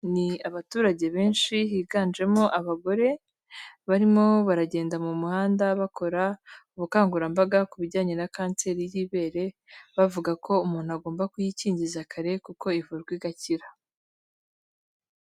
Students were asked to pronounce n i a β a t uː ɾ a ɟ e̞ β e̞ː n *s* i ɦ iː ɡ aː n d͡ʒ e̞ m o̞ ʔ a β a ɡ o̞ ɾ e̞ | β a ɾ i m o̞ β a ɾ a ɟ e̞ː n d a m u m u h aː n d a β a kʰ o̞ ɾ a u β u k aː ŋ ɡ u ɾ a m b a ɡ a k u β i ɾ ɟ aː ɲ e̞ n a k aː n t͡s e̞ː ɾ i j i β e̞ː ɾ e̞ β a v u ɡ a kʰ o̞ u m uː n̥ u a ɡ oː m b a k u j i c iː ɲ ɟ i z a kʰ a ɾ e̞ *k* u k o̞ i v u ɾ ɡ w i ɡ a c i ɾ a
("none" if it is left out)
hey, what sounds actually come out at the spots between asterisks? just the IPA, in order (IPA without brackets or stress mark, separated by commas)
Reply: ʃ, k